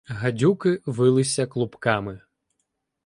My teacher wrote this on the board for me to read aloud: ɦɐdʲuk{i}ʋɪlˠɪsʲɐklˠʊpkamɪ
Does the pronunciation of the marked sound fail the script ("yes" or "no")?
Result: yes